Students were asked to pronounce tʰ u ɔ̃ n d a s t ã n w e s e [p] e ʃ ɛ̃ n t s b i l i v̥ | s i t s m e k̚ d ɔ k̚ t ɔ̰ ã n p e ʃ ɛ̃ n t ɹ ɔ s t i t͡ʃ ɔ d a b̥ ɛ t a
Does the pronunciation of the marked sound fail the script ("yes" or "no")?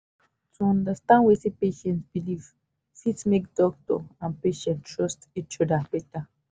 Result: no